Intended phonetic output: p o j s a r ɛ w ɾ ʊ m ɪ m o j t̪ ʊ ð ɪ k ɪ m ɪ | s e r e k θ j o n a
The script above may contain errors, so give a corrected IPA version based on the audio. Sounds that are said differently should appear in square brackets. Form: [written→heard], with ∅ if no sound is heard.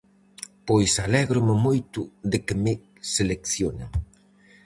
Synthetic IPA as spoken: p o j s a [r→l] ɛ [w→ɣ] ɾ ʊ m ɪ m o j t̪ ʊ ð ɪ k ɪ m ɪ | s e [r→l] e k θ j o n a